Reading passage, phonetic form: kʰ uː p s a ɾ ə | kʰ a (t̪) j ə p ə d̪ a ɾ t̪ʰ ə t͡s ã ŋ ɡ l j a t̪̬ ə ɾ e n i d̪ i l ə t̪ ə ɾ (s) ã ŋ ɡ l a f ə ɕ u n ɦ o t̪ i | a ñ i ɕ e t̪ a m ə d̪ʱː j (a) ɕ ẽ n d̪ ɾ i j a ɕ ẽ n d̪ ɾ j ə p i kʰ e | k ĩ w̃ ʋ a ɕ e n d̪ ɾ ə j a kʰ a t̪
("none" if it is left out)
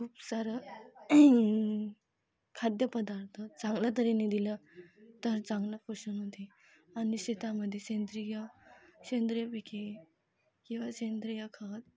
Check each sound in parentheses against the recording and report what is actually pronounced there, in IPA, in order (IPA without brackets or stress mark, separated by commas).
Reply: d̪, t͡s, e